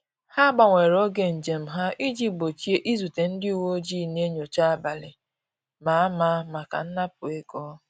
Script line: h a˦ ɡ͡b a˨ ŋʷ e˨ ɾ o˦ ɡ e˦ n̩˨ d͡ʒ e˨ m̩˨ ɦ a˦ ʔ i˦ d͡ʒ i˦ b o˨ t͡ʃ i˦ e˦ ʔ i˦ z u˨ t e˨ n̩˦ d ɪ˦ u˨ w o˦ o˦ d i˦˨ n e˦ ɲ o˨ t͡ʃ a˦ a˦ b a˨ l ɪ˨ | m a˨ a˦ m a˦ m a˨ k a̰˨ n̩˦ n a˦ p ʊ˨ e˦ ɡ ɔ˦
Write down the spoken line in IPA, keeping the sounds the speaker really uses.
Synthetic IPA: h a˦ ɡ͡b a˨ ŋʷ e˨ ɾ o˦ ɡ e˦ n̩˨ d͡ʒ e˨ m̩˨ ɦ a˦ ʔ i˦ d͡ʒ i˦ b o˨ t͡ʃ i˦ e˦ ʔ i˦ z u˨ t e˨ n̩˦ d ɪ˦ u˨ w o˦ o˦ d͡ʒ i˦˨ n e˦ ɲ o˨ t͡ʃ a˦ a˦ b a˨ l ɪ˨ | m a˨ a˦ m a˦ m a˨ k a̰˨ n̩˦ n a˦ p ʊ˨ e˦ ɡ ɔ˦